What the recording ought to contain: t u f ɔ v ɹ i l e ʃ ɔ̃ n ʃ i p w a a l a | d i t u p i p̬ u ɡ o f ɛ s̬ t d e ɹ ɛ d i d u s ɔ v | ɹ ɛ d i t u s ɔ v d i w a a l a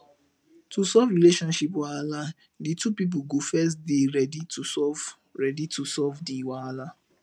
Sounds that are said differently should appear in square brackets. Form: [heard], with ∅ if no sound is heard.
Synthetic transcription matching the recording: t u [s] ɔ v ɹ i l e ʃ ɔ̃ n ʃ i p w a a l a | d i t u p i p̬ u ɡ o f ɛ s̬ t d e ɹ ɛ d i [t] u s ɔ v | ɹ ɛ d i t u s ɔ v d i w a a l a